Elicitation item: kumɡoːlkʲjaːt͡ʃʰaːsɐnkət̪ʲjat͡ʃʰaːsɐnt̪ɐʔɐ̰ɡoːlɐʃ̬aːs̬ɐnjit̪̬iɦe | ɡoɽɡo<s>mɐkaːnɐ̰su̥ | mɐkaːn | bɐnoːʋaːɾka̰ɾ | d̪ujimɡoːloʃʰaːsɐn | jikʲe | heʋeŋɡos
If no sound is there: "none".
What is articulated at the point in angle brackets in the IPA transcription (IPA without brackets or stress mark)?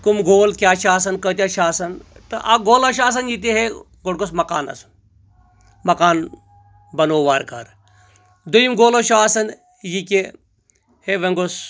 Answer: s